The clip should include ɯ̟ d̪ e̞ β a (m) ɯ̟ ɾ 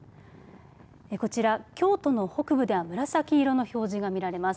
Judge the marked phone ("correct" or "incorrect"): correct